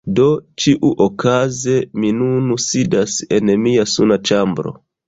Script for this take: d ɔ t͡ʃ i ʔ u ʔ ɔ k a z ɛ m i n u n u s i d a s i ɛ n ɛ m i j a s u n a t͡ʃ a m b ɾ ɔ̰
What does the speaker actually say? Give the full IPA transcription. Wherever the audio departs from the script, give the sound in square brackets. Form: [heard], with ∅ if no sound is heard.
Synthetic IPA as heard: d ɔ t͡ʃ i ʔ u ʔ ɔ k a z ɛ m i n u n u s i d a s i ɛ n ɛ m i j a s u n a t͡ʃ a m b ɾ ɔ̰